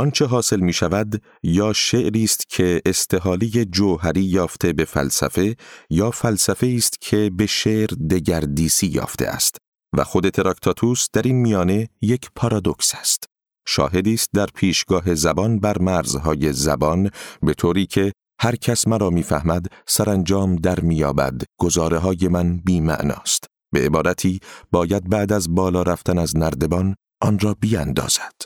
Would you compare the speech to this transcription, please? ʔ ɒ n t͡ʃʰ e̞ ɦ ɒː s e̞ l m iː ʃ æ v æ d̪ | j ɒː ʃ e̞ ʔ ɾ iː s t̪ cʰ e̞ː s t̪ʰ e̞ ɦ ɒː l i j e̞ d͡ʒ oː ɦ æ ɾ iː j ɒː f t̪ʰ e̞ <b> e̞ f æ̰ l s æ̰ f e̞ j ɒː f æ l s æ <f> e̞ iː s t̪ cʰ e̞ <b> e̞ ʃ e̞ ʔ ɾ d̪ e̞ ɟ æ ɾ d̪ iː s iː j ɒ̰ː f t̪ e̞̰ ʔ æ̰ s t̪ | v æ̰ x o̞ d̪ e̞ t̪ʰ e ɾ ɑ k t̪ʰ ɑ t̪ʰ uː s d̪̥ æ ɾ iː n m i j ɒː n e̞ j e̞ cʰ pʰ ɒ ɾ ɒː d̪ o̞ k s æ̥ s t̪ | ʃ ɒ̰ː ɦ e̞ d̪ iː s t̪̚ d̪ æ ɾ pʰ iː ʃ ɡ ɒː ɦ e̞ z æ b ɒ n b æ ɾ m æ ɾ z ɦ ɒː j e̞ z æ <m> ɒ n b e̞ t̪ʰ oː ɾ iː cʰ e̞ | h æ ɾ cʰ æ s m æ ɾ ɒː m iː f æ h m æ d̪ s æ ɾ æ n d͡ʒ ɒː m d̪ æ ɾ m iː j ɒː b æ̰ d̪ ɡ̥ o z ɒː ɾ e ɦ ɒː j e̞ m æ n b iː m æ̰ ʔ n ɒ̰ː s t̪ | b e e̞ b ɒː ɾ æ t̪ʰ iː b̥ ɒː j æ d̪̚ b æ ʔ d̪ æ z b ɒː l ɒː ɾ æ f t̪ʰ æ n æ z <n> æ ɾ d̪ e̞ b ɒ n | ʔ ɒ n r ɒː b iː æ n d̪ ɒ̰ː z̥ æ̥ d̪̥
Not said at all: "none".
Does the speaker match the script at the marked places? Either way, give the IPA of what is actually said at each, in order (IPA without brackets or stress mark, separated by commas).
b, f, b, b, n